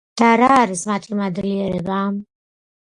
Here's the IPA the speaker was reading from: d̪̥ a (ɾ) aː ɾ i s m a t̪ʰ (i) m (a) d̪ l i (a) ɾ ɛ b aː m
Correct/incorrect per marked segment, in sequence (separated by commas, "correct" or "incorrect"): correct, correct, correct, incorrect